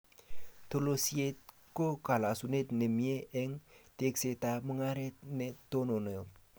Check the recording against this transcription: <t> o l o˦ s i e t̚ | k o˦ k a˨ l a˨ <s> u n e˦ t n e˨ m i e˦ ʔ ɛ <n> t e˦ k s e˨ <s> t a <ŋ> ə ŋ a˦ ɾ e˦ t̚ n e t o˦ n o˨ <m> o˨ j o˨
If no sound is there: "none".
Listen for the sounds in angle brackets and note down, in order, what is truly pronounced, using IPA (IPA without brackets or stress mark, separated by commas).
t, s, ŋ, none, m, n